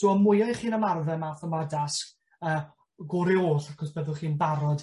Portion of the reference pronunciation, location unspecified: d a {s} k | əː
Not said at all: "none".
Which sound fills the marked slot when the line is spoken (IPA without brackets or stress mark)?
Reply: s